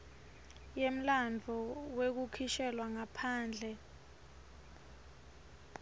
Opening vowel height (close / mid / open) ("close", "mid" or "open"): mid